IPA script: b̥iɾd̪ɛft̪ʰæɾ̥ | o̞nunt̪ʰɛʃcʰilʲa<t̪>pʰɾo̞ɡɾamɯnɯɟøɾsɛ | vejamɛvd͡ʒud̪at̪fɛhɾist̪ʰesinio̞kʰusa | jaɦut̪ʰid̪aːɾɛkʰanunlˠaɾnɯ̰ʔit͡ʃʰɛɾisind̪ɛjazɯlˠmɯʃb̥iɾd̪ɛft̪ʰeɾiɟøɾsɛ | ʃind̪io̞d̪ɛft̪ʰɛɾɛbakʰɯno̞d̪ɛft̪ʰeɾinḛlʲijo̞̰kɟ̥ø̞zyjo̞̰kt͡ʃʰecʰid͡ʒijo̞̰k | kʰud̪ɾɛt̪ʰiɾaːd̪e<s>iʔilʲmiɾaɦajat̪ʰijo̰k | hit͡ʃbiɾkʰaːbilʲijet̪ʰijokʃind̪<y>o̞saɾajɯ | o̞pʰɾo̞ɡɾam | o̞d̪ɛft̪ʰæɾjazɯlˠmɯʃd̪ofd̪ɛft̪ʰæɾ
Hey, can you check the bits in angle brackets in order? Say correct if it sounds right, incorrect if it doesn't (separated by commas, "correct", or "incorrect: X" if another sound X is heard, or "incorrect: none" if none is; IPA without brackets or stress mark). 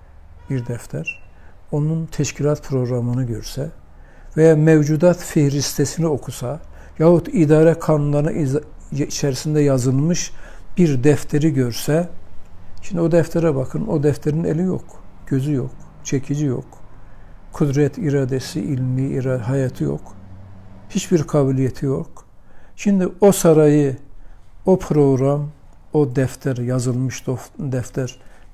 correct, correct, incorrect: i